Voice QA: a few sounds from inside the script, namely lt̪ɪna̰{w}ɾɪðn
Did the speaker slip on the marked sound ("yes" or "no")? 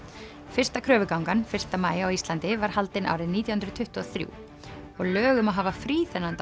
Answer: no